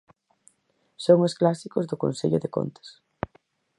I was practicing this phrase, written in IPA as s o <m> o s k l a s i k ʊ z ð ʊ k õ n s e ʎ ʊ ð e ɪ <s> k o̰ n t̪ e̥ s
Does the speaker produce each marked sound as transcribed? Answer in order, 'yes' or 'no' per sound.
no, no

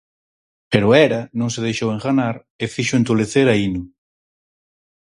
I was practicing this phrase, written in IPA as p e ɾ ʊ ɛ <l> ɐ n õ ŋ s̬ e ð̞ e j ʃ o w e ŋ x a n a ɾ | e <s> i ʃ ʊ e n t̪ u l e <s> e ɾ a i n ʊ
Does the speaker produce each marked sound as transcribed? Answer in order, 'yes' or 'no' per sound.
no, no, no

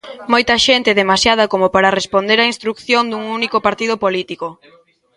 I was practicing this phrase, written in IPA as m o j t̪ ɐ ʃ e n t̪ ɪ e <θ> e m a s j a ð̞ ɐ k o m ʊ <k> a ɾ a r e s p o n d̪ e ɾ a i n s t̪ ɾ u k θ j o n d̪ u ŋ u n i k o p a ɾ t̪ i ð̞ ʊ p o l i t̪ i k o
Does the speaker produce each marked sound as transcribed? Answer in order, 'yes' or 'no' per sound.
no, no

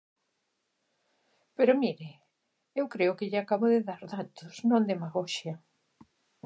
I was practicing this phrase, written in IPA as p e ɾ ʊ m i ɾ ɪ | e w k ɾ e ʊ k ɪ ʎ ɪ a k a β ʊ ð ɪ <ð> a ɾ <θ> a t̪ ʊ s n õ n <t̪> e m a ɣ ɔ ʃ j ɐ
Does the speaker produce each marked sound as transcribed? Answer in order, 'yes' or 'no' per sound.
yes, no, no

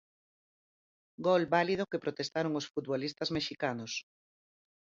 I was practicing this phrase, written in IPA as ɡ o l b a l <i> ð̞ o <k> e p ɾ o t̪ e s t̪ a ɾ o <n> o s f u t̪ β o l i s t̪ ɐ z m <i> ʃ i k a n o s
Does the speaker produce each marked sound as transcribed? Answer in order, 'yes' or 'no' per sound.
yes, yes, no, no

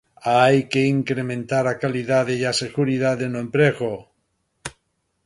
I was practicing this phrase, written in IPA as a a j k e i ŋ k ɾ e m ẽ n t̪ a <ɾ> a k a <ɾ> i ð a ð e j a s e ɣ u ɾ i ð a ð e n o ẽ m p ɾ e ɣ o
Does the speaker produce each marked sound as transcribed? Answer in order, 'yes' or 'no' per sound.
yes, no

